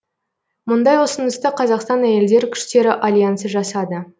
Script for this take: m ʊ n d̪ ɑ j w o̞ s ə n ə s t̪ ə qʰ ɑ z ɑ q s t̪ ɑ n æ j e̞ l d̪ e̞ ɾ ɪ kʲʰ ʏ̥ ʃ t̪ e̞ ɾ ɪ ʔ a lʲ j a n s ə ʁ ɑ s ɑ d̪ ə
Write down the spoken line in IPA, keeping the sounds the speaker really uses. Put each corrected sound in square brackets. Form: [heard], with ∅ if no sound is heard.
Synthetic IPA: m ʊ n d̪ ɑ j w o̞ s ə n ə s t̪ ə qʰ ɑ z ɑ q s t̪ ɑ n æ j e̞ l d̪ e̞ ɾ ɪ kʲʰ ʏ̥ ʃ t̪ e̞ ɾ ɪ ʔ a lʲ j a n s ə [ʒ] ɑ s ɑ d̪ ə